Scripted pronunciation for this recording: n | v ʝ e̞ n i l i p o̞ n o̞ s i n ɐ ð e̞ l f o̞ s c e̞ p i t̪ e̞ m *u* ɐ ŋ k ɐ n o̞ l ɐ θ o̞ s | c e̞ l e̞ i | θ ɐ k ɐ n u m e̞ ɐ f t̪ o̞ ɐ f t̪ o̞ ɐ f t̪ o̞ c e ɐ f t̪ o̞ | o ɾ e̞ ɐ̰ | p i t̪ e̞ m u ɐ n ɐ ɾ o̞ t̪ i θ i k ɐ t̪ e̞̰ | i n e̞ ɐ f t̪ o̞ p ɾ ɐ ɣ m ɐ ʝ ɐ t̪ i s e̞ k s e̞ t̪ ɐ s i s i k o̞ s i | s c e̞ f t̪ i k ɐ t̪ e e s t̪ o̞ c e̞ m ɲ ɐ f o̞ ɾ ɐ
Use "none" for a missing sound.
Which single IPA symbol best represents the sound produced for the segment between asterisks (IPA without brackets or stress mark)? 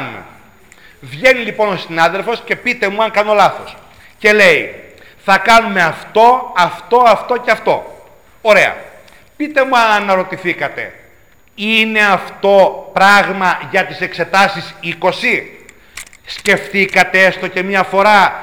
u